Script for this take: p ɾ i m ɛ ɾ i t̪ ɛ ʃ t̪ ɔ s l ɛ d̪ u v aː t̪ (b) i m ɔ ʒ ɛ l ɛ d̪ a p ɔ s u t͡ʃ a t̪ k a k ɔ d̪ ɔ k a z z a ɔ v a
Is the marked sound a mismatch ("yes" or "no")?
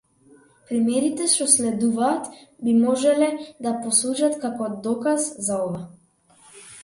no